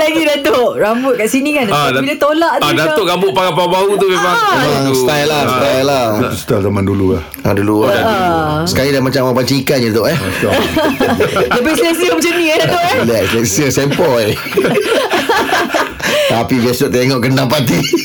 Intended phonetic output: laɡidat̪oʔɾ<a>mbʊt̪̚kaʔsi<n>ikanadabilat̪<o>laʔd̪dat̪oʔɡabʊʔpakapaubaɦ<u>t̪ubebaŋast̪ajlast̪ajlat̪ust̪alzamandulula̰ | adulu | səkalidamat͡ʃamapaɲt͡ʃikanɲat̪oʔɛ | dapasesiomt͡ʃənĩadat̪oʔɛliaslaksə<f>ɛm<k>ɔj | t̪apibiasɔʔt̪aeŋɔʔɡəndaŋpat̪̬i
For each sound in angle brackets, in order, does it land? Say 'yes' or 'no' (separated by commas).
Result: yes, yes, yes, yes, no, no